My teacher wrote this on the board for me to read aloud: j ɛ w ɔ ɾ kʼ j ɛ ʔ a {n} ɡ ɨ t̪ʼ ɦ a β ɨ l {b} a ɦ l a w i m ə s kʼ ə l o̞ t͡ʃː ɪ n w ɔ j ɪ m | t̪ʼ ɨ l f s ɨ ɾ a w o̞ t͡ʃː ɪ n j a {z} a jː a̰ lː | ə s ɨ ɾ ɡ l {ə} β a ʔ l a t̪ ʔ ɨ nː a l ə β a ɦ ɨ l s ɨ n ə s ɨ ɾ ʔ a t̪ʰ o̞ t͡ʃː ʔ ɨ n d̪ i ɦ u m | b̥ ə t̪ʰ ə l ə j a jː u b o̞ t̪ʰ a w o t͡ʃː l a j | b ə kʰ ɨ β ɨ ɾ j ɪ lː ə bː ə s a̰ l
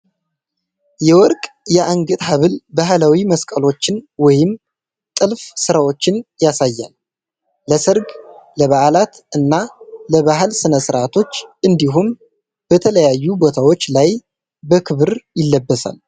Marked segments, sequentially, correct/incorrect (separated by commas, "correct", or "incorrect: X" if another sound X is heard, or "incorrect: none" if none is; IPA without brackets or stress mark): incorrect: ŋ, correct, incorrect: s, correct